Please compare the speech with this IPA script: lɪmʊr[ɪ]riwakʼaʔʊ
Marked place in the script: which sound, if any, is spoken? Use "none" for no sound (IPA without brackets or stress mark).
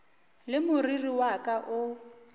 i